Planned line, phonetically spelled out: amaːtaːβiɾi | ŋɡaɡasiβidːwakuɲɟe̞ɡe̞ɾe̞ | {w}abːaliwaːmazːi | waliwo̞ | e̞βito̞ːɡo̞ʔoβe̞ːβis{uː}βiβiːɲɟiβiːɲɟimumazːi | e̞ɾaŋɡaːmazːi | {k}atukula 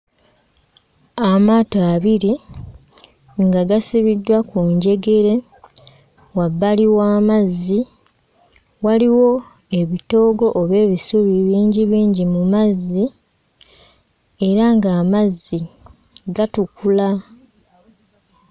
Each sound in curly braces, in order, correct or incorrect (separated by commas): correct, incorrect, incorrect